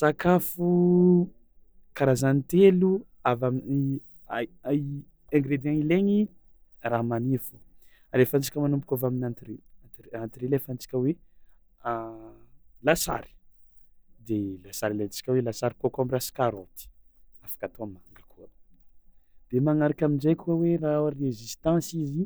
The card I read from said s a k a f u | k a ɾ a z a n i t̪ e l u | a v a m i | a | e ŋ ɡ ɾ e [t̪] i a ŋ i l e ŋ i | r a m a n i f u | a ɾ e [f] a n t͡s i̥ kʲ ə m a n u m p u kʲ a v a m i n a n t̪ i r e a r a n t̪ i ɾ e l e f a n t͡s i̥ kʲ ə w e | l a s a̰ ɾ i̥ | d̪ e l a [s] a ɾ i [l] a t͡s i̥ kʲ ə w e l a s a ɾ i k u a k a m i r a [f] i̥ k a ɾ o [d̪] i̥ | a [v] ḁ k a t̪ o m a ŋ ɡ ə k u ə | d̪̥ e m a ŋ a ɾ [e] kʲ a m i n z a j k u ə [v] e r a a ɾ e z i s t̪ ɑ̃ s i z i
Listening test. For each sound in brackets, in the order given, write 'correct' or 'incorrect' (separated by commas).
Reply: incorrect, correct, correct, correct, incorrect, incorrect, incorrect, incorrect, incorrect